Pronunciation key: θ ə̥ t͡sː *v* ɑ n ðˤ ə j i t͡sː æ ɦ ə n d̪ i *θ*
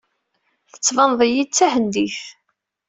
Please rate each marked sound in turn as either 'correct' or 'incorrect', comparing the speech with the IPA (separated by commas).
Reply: correct, correct